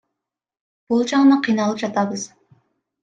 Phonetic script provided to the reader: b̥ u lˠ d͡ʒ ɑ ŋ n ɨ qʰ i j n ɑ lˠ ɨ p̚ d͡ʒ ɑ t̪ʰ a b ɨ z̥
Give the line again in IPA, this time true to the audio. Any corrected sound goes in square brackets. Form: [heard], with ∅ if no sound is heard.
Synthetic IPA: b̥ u lˠ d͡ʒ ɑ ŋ n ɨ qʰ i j n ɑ lˠ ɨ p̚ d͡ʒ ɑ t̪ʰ [ɑ] b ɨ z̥